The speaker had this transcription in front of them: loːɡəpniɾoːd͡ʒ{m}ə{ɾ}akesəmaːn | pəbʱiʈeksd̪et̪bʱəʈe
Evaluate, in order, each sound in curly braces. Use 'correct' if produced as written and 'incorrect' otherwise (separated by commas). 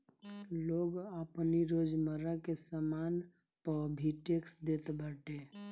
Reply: correct, correct